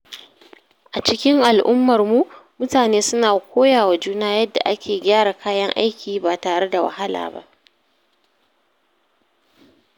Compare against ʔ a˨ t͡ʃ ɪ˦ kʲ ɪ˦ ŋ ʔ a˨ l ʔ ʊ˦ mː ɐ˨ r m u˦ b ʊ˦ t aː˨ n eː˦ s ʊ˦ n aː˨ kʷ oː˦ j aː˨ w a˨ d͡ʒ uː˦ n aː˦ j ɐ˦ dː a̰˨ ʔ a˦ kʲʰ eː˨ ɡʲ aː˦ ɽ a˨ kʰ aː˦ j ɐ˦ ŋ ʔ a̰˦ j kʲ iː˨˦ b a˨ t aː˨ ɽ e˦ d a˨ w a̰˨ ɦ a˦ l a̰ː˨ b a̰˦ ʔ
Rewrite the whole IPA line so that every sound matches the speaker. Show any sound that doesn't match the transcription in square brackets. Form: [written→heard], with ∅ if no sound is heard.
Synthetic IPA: ʔ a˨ t͡ʃ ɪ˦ kʲ ɪ˦ ŋ ʔ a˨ l ʔ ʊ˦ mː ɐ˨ r m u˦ [b→m] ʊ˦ t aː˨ n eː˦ s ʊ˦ n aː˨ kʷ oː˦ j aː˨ w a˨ d͡ʒ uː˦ n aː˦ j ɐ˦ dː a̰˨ ʔ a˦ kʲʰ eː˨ ɡʲ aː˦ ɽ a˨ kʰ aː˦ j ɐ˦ ŋ ʔ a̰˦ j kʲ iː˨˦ b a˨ t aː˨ ɽ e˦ d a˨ w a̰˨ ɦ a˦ l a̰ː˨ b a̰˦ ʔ